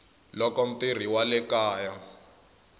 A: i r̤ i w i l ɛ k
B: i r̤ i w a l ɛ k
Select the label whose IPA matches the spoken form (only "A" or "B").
B